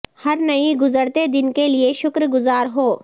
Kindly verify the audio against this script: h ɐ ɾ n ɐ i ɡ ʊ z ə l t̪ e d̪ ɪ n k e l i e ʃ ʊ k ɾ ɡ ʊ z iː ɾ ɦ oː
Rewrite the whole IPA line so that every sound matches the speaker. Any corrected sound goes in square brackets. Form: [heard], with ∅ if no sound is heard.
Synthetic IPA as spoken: h ɐ ɾ n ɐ i ɡ ʊ z ə [ɾ] t̪ e d̪ ɪ n k e l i e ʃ ʊ k ɾ ɡ ʊ z [aː] ɾ ɦ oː